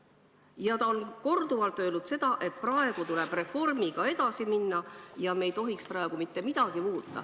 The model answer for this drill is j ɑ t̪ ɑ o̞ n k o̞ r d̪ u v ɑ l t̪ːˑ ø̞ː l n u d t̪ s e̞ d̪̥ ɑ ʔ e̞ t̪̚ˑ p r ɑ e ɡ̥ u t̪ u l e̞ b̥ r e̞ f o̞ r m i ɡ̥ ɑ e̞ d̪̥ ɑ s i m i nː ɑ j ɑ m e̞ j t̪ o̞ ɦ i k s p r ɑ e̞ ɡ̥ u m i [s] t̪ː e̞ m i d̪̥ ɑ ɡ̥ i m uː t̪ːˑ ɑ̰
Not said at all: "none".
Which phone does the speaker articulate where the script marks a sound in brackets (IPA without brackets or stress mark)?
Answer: none